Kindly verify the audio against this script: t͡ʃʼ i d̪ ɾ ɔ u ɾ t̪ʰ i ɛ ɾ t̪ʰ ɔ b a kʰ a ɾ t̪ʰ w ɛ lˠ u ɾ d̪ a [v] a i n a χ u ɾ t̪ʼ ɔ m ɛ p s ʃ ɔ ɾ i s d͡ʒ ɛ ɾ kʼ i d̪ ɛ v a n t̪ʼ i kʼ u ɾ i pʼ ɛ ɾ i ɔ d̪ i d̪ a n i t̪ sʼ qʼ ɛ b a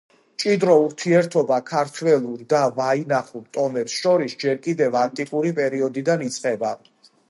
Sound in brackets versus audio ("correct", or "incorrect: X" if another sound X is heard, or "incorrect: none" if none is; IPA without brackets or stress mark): correct